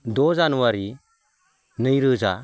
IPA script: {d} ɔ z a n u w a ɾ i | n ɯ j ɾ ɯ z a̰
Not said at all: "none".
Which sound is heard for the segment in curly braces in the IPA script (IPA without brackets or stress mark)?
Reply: d